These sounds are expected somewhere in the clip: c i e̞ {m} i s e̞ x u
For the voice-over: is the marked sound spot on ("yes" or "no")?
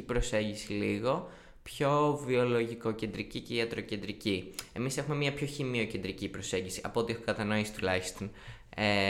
yes